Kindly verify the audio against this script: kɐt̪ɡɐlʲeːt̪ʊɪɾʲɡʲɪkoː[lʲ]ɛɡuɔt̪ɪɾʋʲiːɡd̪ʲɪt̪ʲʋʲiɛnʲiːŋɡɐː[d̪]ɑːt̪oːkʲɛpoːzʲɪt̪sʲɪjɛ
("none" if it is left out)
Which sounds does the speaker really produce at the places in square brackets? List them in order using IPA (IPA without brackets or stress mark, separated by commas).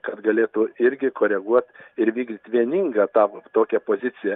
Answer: ɾʲ, t̪